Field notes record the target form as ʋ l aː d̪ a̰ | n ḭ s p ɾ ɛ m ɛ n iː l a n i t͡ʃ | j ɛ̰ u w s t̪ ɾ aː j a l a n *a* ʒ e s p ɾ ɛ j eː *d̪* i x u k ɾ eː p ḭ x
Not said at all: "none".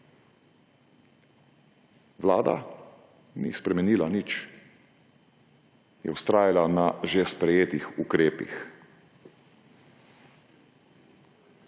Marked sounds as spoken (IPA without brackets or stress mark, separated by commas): a, t̪